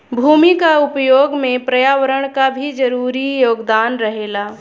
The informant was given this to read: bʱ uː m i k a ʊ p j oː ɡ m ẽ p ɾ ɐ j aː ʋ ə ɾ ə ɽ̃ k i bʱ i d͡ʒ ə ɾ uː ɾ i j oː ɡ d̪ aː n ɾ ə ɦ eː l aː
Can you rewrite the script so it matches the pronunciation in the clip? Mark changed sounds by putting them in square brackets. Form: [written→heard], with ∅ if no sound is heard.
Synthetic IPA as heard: bʱ uː m i k a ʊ p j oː ɡ m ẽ p ɾ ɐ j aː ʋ ə ɾ ə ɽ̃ k [i→a] bʱ i d͡ʒ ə ɾ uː ɾ i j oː ɡ d̪ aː n ɾ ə ɦ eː l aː

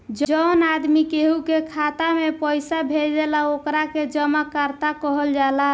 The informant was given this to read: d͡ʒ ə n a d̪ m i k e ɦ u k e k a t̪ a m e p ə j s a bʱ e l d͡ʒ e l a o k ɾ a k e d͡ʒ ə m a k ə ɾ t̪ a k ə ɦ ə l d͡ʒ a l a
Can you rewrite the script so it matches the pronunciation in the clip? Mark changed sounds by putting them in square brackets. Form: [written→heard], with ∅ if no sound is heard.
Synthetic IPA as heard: d͡ʒ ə n a d̪ m i k e ɦ u k e [k→kʰ] a t̪ a m e p ə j s a bʱ e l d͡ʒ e l a o k ɾ a k e d͡ʒ ə m a k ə ɾ t̪ a k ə ɦ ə l d͡ʒ a l a

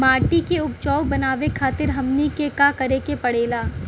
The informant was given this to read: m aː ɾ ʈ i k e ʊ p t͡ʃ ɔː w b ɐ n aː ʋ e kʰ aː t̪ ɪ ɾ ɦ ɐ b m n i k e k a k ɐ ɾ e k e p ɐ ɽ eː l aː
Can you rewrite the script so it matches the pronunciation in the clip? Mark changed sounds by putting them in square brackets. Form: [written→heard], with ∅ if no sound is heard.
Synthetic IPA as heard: m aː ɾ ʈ i k e ʊ p t͡ʃ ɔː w b ɐ n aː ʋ e kʰ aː t̪ ɪ ɾ ɦ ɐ [b→∅] m n i k e k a k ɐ ɾ e k e p ɐ ɽ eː l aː

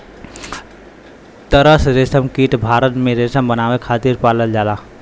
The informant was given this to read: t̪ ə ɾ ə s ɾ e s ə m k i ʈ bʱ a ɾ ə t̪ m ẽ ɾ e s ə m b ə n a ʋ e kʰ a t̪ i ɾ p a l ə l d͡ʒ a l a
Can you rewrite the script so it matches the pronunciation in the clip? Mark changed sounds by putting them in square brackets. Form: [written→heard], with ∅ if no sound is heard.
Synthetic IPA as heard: t̪ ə ɾ ə s ɾ e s ə m k i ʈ bʱ a ɾ ə t̪ m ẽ ɾ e s ə m b ə n a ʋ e kʰ a t̪ i ɾ p a l ə l d͡ʒ a l a

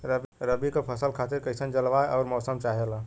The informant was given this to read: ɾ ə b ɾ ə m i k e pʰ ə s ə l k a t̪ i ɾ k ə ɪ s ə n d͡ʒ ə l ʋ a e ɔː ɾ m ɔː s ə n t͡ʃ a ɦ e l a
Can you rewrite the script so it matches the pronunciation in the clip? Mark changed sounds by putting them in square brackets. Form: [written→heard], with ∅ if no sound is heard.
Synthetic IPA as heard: ɾ ə b ɾ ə [m→b] i k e pʰ ə s ə l [k→kʰ] a t̪ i ɾ k ə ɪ s ə n d͡ʒ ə l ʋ a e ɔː ɾ m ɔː s ə [n→m] t͡ʃ a ɦ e l a

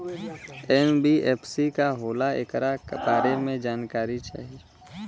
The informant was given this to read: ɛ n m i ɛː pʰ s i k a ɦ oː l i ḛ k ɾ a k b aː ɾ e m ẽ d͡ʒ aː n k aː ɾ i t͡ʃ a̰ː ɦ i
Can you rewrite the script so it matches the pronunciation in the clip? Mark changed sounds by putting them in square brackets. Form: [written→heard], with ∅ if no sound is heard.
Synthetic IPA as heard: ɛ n [m→b] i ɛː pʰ s i k a ɦ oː l [i→a] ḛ k ɾ a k b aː ɾ e m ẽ d͡ʒ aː n k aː ɾ i t͡ʃ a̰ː ɦ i

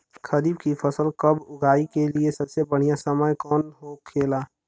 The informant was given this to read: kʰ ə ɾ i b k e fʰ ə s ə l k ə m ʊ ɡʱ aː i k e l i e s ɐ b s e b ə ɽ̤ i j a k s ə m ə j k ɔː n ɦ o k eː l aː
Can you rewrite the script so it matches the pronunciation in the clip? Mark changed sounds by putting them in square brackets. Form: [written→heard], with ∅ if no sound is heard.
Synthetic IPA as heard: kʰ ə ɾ i b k [e→i] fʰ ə s ə l k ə [m→b] ʊ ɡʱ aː i k e l i e s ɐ b s e b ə ɽ̤ i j a [k→∅] s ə m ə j k ɔː n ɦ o [k→kʰ] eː l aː

